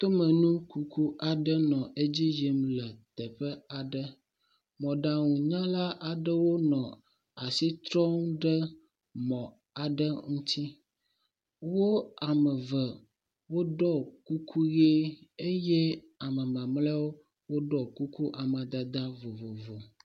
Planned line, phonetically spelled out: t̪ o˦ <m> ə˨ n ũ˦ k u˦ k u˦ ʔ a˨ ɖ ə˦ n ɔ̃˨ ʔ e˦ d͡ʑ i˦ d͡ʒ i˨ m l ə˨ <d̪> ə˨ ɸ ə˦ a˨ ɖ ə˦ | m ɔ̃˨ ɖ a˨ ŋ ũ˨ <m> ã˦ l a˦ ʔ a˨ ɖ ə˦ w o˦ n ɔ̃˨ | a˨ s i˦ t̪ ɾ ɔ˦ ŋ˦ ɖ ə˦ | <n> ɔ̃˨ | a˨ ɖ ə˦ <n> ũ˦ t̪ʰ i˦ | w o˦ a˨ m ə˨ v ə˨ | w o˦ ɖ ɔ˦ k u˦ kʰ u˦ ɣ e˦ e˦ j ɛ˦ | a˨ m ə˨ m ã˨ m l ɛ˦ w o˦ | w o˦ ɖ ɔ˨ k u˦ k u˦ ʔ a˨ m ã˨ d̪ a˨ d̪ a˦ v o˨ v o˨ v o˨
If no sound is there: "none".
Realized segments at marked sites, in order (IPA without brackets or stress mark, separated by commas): m, t̪, ɲ, m, ŋ